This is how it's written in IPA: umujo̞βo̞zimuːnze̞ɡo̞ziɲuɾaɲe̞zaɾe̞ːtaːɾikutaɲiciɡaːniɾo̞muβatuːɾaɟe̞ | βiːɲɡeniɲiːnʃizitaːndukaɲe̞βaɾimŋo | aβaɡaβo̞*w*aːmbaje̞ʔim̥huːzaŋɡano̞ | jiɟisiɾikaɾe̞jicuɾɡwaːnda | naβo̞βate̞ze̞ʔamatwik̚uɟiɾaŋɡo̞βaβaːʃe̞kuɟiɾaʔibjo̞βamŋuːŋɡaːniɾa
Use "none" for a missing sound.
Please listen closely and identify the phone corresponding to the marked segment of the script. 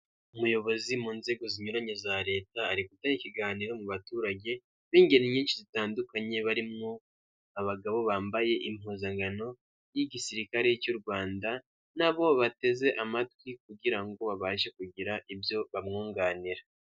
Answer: β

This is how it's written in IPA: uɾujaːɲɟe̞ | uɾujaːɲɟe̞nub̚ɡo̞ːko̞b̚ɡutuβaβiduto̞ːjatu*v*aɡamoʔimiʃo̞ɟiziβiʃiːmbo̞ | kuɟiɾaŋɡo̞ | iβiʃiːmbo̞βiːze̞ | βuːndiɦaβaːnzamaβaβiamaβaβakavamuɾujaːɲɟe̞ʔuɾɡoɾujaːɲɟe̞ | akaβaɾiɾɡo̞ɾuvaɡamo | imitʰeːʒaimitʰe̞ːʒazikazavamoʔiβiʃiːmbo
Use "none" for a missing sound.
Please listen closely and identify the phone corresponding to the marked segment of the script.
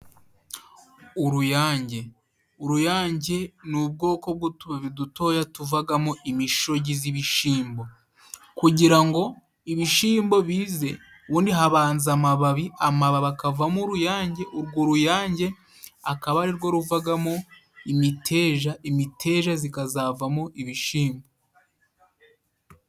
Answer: v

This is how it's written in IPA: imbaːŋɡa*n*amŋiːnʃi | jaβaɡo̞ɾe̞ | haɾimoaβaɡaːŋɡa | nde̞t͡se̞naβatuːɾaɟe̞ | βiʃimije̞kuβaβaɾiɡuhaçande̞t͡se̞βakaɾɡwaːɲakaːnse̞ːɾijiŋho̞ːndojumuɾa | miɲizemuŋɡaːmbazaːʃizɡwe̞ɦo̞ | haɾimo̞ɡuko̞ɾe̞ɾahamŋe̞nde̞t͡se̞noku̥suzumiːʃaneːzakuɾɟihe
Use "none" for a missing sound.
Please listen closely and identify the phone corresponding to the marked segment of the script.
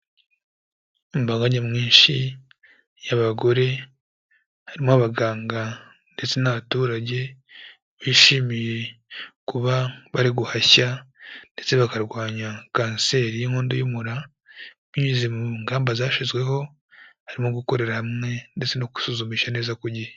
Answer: ɲ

